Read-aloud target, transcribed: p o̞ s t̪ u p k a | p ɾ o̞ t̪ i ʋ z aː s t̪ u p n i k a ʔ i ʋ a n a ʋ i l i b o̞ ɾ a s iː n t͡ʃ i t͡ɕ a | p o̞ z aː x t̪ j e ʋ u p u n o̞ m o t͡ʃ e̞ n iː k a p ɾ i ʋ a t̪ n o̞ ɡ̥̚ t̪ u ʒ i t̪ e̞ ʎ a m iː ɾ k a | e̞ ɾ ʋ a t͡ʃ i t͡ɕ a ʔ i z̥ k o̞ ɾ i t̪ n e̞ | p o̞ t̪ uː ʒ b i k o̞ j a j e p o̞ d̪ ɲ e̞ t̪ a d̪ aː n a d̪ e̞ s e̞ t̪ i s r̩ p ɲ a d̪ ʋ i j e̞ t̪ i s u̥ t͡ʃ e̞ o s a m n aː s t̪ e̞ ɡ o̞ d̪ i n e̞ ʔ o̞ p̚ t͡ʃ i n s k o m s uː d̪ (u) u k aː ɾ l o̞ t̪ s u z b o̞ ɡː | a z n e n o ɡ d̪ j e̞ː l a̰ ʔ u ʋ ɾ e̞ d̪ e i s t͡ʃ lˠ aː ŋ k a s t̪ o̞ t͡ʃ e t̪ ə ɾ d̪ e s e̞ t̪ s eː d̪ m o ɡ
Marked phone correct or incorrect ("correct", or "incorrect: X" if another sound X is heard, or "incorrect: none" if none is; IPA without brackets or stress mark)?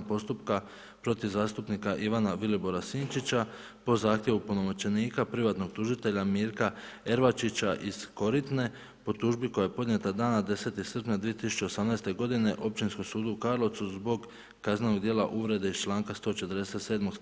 correct